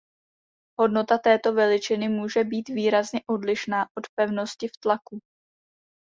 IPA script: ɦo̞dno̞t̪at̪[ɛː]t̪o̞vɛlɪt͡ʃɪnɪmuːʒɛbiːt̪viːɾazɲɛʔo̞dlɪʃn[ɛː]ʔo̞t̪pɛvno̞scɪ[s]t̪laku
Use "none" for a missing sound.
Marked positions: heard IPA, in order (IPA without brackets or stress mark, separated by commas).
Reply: ɛː, aː, f